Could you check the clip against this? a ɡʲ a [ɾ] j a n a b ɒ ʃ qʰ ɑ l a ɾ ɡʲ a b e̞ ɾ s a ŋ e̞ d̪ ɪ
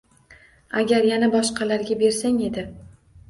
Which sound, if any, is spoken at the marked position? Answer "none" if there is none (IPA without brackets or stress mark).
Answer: ɾ